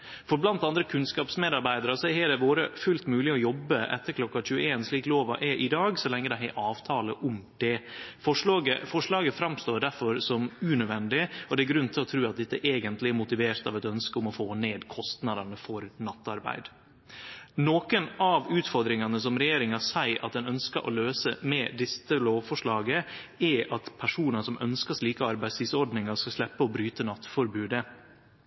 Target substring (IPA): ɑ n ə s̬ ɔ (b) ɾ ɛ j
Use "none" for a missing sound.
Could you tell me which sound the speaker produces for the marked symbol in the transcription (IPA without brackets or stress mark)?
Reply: m